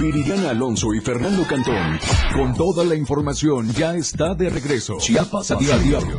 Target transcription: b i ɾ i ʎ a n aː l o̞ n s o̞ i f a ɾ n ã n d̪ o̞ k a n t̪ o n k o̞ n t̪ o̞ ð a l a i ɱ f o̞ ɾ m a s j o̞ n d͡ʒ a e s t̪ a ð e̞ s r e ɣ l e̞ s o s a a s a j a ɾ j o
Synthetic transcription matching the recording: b i ɾ i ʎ a n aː l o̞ n s o̞ i f e ɾ n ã n d̪ o̞ k a n t̪ o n k o̞ n t̪ o̞ ð a l a i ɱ f o̞ ɾ m a s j o̞ n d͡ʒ a e s t̪ a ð e̞ r e ɣ ɾ e̞ s o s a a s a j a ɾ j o